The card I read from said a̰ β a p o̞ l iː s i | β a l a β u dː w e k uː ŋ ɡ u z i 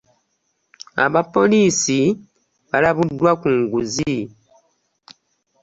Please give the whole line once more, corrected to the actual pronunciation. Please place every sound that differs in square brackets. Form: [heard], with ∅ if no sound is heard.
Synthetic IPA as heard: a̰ β a p o̞ l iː s i | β a l a β u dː w [a] k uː ŋ ɡ u z i